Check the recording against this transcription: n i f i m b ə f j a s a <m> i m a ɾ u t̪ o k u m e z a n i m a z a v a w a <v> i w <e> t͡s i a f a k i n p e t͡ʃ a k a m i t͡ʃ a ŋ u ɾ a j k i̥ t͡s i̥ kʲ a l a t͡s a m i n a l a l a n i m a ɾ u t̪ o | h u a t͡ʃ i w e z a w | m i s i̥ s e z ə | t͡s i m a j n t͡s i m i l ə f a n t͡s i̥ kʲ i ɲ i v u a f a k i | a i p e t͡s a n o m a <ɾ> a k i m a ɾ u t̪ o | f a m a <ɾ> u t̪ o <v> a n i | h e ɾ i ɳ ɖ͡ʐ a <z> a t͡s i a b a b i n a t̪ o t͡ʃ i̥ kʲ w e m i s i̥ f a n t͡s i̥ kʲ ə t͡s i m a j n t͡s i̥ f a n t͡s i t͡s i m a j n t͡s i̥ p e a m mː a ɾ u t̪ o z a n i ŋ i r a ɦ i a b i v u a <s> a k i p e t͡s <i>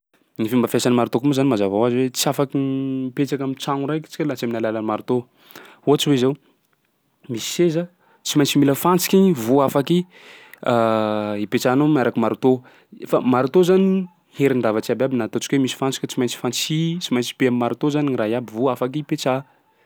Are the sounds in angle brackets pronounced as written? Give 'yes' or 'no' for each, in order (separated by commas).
no, no, yes, yes, yes, no, no, no, no